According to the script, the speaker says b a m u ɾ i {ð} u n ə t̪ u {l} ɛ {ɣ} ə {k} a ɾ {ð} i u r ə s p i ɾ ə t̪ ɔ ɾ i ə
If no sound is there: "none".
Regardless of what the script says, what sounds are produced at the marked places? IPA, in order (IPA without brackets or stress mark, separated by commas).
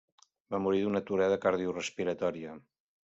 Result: ð, ɾ, ð, k, ð